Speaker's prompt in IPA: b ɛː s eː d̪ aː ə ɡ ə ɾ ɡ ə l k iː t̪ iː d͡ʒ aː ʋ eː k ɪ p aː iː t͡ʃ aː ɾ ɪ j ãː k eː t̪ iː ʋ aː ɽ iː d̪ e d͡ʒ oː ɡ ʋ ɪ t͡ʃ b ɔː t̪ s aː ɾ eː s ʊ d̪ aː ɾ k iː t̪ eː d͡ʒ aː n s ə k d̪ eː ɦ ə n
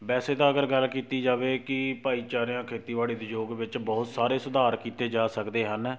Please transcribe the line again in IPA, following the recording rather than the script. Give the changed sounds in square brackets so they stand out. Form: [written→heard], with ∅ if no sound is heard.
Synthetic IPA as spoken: b ɛː s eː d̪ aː ə ɡ ə ɾ ɡ ə l k iː t̪ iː d͡ʒ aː ʋ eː k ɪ p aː iː t͡ʃ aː ɾ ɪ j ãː [k→kʰ] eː t̪ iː ʋ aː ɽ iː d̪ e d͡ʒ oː ɡ ʋ ɪ t͡ʃ b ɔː t̪ s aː ɾ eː s ʊ d̪ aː ɾ k iː t̪ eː d͡ʒ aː [n→∅] s ə k d̪ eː ɦ ə n